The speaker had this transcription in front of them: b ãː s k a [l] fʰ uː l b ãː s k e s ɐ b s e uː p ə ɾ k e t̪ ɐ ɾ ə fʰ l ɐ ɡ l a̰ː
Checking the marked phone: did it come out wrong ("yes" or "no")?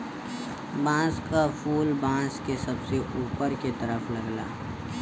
yes